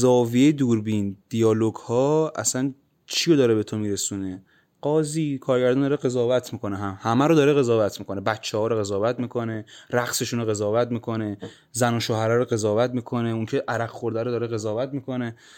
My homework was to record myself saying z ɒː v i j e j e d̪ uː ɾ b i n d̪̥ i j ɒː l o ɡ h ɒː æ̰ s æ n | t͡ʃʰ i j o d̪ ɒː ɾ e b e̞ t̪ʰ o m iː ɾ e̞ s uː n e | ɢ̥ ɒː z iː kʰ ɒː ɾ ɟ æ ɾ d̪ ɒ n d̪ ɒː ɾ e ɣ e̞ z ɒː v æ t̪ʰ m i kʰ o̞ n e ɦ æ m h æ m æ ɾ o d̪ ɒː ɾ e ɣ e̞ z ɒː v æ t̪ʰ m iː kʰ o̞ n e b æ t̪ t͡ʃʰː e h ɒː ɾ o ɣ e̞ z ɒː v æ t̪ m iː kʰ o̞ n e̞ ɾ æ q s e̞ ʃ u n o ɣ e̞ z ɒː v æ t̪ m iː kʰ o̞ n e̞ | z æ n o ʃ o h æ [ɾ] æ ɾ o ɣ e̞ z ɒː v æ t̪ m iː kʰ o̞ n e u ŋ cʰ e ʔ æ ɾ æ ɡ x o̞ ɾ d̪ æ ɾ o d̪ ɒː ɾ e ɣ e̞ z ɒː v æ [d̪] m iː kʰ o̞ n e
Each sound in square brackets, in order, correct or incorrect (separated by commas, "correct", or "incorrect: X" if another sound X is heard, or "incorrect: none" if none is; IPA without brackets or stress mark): correct, incorrect: t̪